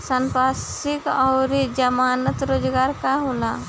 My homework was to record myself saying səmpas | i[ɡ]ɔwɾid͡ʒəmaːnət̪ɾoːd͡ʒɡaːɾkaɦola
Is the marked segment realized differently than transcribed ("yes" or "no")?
yes